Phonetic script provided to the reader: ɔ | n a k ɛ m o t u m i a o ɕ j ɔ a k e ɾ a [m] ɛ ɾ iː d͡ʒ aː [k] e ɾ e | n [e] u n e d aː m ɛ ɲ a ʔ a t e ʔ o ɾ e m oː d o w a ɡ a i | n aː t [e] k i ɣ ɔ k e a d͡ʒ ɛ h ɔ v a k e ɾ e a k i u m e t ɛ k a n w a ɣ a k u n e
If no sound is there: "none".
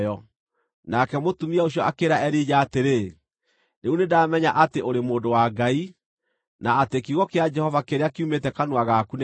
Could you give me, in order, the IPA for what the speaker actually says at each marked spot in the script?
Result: none, t, e, e

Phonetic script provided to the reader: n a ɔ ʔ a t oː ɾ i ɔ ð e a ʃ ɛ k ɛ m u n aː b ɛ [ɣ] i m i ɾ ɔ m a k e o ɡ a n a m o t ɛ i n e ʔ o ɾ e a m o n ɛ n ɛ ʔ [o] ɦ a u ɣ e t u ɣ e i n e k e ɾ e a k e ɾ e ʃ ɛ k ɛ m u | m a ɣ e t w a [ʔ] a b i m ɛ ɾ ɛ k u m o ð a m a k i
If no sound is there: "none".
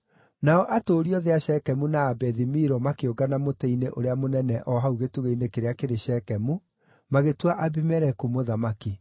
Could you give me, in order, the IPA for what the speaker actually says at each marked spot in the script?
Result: ð, ɔ, ʔ

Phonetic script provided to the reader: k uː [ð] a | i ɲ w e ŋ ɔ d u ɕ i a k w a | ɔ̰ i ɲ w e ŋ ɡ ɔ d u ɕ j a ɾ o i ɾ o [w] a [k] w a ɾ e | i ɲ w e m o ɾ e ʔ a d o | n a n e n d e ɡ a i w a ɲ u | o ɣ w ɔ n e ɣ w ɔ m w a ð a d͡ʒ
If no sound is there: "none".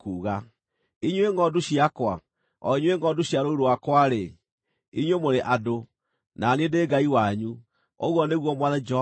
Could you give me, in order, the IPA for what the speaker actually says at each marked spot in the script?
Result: ɣ, w, k

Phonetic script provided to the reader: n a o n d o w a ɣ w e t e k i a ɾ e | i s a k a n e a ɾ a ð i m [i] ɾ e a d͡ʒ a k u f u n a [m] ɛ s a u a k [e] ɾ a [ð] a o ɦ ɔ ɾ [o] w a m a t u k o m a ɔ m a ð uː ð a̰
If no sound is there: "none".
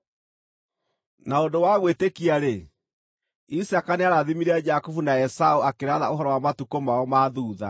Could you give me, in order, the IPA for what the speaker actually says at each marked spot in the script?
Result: i, none, e, ð, ɔ

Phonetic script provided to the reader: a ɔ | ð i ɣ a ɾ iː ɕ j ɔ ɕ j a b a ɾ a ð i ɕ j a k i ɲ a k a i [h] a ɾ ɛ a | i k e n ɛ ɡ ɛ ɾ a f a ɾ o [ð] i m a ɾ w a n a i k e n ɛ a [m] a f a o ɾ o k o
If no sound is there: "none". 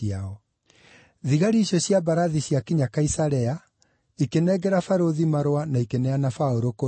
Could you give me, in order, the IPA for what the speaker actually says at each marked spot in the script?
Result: s, ð, n

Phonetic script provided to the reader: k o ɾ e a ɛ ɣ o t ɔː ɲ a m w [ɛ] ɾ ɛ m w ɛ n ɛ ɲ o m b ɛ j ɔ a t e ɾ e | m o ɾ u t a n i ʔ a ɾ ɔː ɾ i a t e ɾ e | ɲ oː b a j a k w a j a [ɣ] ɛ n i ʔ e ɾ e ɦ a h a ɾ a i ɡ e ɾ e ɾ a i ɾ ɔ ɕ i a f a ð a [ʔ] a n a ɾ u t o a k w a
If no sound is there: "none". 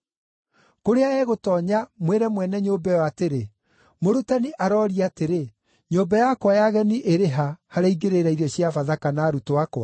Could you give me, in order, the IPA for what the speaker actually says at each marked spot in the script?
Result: e, ɣ, k

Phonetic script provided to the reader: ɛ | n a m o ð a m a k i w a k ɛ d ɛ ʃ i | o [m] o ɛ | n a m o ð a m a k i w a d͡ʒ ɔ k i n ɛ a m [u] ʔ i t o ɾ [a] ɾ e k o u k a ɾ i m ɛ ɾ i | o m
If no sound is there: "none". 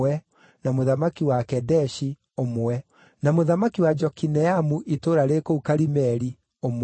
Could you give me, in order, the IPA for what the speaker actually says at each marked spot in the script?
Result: m, u, a

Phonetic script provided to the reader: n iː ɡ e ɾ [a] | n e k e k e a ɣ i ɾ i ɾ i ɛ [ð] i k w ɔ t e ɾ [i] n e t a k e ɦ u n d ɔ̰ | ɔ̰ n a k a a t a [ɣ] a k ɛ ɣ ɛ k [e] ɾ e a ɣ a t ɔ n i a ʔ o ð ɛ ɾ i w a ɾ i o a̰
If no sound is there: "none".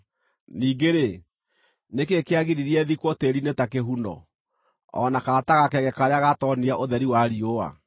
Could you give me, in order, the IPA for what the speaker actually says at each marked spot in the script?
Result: e, ð, i, ɣ, a

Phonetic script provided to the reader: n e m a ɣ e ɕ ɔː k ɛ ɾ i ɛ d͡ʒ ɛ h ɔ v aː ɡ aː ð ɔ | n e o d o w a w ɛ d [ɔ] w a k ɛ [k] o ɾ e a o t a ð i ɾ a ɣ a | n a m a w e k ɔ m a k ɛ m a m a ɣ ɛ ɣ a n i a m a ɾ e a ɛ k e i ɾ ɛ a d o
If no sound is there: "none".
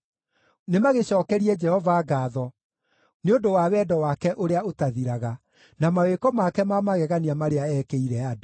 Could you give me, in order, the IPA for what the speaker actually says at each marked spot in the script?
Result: ɔ, ʔ

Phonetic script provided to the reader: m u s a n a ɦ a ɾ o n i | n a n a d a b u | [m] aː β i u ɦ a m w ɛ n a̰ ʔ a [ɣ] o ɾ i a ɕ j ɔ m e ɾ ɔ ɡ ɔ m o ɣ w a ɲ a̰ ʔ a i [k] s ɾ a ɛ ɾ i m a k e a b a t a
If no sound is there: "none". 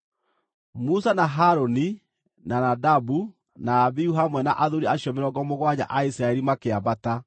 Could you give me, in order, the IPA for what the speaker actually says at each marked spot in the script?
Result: n, ð, none

